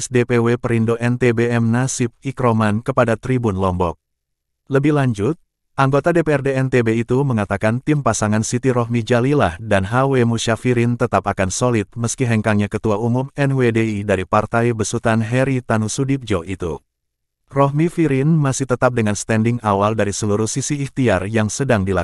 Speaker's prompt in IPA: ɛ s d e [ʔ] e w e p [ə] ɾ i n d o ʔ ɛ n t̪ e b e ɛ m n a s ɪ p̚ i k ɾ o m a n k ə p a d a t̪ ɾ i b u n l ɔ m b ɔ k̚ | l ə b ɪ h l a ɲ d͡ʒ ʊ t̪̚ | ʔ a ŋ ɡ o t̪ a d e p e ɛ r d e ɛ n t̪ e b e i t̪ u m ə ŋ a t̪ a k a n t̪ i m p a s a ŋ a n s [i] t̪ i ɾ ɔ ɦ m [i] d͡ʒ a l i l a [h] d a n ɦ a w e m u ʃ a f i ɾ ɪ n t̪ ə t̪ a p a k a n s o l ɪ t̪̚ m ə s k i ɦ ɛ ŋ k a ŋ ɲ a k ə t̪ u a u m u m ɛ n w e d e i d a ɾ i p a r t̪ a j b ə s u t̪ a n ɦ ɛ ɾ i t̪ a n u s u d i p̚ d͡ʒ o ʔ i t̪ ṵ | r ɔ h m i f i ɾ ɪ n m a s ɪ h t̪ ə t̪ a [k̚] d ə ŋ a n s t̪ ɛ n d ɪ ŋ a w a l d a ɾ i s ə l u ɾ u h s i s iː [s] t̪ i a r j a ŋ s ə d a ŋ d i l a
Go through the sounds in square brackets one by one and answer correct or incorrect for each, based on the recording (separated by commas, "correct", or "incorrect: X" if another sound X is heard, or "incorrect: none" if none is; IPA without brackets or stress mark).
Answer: incorrect: p, correct, correct, correct, correct, incorrect: p̚, incorrect: h